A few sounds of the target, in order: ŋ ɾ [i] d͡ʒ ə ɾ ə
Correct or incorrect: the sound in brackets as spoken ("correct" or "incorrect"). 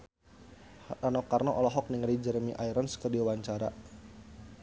correct